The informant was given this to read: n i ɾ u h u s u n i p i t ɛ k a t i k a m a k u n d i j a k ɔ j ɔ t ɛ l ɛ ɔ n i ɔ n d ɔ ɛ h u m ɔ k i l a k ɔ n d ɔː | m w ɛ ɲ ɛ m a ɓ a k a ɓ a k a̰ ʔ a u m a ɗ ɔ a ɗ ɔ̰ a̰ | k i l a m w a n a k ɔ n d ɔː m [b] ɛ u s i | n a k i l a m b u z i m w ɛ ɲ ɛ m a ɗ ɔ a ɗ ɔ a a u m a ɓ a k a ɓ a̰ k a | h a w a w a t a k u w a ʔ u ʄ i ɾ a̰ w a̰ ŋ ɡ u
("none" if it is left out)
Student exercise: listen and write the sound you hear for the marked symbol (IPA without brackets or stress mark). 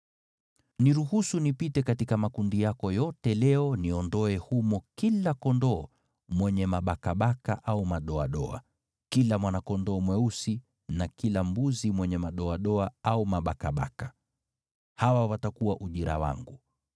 w